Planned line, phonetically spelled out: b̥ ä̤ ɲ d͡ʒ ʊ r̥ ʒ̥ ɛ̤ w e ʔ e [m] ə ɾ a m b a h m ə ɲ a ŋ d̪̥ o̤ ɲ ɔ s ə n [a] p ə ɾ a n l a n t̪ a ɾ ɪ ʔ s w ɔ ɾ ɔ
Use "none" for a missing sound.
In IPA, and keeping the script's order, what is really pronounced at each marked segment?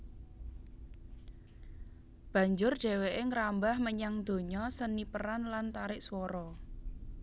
ŋ, i

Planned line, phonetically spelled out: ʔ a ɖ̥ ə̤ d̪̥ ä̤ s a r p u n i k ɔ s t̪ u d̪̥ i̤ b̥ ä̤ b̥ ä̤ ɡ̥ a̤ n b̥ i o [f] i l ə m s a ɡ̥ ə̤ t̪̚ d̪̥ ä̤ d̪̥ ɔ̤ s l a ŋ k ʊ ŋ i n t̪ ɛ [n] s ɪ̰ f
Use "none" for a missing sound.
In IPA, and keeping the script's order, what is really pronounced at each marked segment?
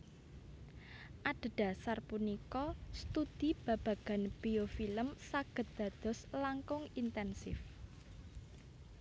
f, n

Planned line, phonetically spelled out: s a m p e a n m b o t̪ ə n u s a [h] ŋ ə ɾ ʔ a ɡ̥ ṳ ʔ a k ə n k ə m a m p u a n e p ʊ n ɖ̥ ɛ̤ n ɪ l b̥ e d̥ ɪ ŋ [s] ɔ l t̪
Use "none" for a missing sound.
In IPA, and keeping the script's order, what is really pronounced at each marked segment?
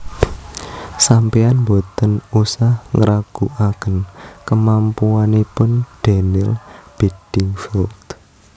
h, f

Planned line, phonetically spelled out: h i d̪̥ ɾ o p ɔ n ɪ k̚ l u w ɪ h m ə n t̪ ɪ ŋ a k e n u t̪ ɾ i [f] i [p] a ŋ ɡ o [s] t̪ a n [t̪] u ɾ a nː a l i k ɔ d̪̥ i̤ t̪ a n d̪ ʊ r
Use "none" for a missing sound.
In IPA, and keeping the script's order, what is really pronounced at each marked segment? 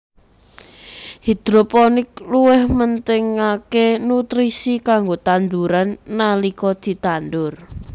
s, k, none, d̪

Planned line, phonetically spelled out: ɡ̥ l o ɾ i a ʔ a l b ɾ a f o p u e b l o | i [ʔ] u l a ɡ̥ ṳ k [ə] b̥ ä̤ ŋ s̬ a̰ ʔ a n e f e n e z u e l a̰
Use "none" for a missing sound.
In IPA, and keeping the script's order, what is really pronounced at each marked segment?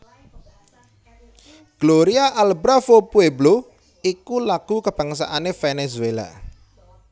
k, ə

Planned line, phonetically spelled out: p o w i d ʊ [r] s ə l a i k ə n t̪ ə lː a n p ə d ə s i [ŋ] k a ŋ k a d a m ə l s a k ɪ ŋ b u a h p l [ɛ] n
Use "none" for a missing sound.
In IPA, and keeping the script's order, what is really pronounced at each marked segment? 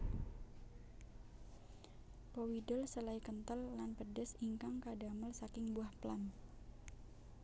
l, ŋ, a

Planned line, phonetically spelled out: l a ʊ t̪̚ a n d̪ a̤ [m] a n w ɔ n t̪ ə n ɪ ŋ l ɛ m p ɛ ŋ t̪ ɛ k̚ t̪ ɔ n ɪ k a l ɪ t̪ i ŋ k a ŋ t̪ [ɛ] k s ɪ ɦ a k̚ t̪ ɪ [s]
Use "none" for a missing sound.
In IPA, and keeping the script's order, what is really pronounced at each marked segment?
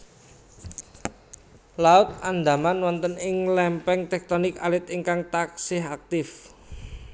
m, a, f

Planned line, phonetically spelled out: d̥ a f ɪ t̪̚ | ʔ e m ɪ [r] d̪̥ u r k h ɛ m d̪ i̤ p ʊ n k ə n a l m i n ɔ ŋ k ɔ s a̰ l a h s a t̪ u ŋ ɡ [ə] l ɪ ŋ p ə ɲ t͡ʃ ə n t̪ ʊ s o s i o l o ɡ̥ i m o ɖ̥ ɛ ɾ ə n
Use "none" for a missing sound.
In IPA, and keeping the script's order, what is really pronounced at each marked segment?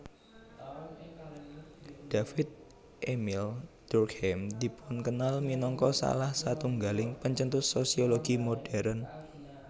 l, a

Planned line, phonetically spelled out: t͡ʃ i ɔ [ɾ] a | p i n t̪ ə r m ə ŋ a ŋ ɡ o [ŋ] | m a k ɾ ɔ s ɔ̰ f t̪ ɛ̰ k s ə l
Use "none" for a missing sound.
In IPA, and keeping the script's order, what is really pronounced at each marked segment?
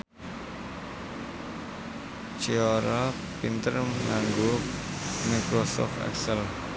ɾ, none

